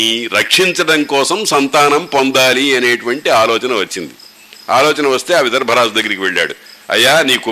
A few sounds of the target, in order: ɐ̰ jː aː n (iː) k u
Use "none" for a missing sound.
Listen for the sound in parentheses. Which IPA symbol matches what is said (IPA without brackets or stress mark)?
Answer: iː